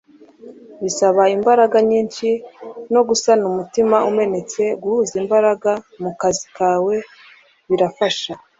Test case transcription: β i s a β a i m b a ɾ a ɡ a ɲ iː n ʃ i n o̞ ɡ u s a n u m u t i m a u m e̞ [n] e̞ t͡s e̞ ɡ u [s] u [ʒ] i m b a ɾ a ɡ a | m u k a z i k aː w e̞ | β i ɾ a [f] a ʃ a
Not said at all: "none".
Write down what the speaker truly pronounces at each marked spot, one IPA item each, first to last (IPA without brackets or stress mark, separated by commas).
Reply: n, h, z, f